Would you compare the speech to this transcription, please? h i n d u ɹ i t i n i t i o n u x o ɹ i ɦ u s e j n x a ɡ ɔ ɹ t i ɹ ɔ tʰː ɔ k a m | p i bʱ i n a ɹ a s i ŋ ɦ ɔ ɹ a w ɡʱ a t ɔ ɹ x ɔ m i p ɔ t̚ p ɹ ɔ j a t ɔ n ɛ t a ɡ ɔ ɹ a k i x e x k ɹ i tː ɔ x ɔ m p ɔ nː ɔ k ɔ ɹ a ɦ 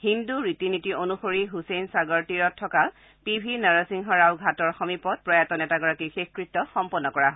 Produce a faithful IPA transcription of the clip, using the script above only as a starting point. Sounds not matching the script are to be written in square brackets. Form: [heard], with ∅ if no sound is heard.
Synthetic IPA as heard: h i n d u ɹ i t i n i t i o n u x o ɹ i ɦ u s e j n [s] a ɡ ɔ ɹ t i ɹ ɔ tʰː ɔ k a [∅] | p i bʱ i n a ɹ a s i ŋ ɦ ɔ ɹ a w ɡʱ a t ɔ ɹ x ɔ m i p ɔ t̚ p ɹ ɔ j a t ɔ n ɛ t a ɡ ɔ ɹ a k i x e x k ɹ i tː ɔ x ɔ m p ɔ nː ɔ k ɔ ɹ a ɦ